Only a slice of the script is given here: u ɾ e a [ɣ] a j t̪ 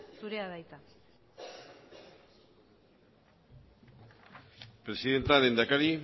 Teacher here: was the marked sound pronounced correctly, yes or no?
no